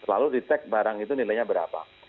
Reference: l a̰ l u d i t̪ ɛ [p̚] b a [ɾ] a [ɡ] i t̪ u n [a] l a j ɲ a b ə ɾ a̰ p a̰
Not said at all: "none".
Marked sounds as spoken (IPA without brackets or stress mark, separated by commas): k̚, ɾ, ŋ, i